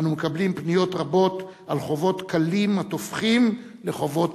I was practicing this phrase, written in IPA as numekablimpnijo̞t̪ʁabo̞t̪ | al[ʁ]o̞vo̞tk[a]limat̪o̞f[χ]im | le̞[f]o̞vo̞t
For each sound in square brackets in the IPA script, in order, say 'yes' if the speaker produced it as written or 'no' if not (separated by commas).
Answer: no, yes, yes, no